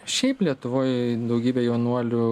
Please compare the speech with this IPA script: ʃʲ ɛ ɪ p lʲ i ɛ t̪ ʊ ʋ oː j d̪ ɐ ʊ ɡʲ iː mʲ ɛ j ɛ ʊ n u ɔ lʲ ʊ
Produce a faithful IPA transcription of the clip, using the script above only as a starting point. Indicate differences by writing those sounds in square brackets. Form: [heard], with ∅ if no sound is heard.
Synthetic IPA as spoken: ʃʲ ɛ ɪ p lʲ i ɛ t̪ ʊ ʋ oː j d̪ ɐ ʊ ɡʲ iː [bʲ] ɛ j ɛ ʊ n u ɔ lʲ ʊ